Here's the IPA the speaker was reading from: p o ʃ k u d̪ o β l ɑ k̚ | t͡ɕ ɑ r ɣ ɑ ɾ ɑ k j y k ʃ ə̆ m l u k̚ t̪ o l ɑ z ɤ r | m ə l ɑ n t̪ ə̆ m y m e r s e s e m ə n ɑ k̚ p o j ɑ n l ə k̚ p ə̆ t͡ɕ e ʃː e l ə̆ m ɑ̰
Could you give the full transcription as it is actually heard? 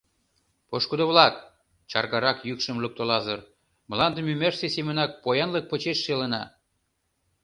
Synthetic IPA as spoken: p o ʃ k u d̪ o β l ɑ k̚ | t͡ɕ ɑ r ɣ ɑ ɾ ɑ k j y k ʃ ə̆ m l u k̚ t̪ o l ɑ z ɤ r | m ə l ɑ n d̪ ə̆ m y m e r s e s e m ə n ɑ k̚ p o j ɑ n l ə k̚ p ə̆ t͡ɕ e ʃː e l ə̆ n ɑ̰